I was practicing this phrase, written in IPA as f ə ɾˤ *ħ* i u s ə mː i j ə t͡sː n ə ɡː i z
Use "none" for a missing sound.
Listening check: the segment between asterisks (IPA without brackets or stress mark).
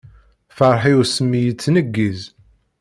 ħ